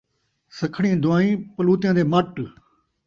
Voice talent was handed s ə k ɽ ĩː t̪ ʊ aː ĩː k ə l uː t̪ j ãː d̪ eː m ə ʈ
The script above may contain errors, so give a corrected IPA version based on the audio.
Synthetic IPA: s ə kʰ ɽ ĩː d̪ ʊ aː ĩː p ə l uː t̪ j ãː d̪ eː m ə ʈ